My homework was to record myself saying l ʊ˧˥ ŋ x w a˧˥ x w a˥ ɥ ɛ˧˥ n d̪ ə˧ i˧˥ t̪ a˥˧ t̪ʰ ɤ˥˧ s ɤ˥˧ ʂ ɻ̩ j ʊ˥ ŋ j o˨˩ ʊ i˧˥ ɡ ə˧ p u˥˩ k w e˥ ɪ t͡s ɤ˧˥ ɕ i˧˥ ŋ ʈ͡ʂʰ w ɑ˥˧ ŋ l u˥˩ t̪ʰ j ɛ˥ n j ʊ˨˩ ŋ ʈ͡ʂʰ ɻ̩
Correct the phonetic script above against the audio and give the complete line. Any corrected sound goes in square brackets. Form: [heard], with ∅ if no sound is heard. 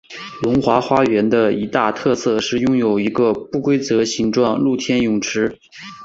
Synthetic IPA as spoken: l ʊ˧˥ ŋ x w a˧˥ x w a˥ ɥ ɛ˧˥ n d̪ ə˧ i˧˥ t̪ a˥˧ t̪ʰ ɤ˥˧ s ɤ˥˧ ʂ ɻ̩ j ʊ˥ ŋ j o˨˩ ʊ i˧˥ ɡ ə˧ p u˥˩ k w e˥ ɪ t͡s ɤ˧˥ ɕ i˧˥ ŋ [ʈ͡ʂ] w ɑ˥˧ ŋ l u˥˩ t̪ʰ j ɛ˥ n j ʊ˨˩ ŋ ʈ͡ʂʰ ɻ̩